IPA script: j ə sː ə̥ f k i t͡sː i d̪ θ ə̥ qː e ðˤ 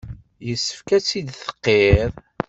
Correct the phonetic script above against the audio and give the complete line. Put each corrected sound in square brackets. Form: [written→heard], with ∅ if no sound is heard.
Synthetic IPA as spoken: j ə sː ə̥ f k [i→æ] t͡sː i d̪ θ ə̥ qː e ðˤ